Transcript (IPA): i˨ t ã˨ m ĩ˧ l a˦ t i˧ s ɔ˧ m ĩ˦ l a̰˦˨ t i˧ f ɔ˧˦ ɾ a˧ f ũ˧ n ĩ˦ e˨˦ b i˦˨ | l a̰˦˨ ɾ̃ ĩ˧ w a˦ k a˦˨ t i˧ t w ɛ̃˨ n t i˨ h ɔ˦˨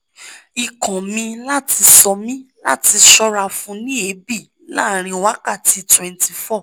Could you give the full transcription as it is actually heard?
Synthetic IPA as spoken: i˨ k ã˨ m ĩ˧ l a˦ t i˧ s ɔ˧ m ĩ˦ l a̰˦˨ t i˧ ʃ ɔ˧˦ ɾ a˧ f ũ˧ n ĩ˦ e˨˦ b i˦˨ | l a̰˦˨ ɾ̃ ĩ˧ w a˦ k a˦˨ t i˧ t w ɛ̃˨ n t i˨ f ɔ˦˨